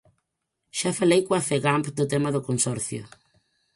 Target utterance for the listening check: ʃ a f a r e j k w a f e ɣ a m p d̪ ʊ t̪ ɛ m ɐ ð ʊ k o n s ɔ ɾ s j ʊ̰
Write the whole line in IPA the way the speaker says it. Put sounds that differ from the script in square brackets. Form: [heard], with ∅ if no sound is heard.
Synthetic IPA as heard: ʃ a f a [l] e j k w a f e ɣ a m p d̪ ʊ t̪ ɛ m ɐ ð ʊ k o n s ɔ ɾ [θ] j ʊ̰